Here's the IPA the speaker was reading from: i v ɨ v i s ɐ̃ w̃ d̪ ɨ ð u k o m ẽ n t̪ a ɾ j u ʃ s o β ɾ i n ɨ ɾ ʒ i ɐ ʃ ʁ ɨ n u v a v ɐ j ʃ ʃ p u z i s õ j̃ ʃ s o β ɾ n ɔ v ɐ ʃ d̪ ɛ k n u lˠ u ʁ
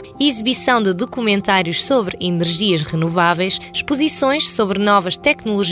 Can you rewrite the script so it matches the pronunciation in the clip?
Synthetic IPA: i z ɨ β i s ɐ̃ w̃ d̪ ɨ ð u k u m ẽ n t̪ a ɾ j u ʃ s o β ɾ i n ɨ ɾ ʒ i ɐ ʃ ʁ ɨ n u v a v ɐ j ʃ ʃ p u z i s õ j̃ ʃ s o β ɾ n ɔ v ɐ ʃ t̪ ɛ k n u lˠ u ʒ